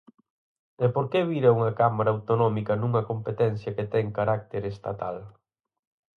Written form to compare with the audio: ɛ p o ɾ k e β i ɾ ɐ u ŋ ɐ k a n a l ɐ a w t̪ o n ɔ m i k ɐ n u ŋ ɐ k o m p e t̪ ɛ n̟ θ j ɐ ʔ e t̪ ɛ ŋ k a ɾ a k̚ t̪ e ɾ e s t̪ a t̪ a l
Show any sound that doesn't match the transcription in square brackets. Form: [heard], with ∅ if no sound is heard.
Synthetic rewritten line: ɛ p o ɾ k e β i ɾ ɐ u ŋ ɐ k a [m] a [ɾ] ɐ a w t̪ o n ɔ m i k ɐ n u ŋ ɐ k o m p e t̪ ɛ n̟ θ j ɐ [k] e t̪ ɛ ŋ k a ɾ a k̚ t̪ e ɾ e s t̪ a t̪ a l